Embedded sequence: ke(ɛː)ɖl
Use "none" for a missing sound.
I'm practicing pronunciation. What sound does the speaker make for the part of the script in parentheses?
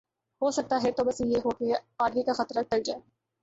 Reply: aː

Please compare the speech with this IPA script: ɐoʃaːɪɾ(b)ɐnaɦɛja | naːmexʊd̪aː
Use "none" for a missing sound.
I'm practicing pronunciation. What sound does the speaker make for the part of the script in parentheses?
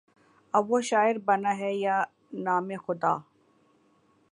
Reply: b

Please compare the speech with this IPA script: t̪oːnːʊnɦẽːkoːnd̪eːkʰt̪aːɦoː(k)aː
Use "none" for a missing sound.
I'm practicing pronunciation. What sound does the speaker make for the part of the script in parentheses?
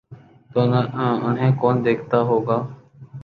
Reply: ɡ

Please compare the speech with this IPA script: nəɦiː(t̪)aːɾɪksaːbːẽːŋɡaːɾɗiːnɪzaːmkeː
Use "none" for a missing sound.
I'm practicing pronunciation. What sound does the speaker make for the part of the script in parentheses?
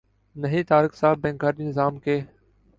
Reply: t̪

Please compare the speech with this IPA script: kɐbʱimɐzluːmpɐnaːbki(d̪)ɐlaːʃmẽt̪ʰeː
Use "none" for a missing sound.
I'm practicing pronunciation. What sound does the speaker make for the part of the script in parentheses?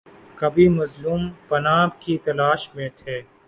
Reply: t̪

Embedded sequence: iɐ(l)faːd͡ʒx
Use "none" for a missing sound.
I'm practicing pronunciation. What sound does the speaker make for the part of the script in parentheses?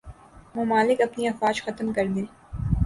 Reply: none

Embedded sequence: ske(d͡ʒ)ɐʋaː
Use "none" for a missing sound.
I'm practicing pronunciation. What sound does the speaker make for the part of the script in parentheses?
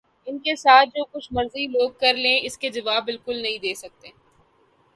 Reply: d͡ʒ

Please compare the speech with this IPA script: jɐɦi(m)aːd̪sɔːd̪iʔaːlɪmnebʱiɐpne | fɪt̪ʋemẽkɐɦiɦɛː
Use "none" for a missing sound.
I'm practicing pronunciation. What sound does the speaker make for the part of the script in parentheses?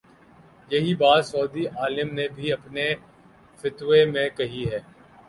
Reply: b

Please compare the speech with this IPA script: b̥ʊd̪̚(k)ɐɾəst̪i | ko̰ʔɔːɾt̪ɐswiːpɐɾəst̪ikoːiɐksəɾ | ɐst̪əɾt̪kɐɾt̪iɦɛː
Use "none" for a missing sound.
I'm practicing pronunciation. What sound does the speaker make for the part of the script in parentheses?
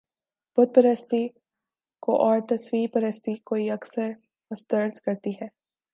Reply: p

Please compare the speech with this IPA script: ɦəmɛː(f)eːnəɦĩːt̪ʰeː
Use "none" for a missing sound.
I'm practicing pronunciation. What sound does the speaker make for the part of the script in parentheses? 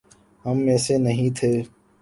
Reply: s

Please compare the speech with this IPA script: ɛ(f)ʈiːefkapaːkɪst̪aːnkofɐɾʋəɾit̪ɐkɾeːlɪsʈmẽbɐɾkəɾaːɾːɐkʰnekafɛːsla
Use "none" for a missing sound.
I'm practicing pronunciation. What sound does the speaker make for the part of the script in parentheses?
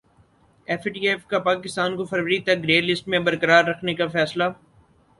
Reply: f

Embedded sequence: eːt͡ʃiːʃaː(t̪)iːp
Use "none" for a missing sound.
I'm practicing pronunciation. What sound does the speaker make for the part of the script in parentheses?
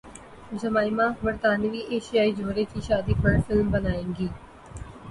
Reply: d̪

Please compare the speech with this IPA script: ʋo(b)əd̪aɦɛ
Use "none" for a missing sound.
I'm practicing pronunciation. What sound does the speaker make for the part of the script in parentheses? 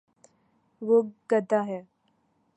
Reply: ɡ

